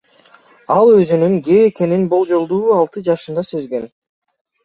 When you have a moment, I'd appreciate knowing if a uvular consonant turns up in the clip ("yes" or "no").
no